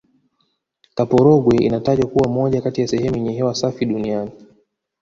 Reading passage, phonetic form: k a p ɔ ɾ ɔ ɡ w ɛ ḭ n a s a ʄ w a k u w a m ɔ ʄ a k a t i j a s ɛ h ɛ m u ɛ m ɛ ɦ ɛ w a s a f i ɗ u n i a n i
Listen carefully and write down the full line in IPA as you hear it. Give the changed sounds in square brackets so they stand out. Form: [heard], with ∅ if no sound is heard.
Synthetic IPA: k a p ɔ ɾ ɔ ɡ w ɛ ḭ n a [t] a ʄ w a k u w a m ɔ ʄ a k a t i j a s ɛ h ɛ m u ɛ [ɲ] ɛ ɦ ɛ w a s a f i ɗ u n i a n i